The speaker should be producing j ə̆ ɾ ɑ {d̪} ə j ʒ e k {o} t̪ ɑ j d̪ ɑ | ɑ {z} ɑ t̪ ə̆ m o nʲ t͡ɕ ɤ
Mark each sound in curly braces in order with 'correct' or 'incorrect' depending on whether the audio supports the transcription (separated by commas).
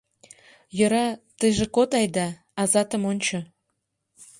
incorrect, correct, correct